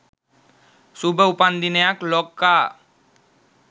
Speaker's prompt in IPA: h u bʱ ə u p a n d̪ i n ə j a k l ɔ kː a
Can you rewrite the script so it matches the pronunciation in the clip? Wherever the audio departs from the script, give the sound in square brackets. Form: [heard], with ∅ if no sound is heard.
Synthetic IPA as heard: [s] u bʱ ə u p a n d̪ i n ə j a k l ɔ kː a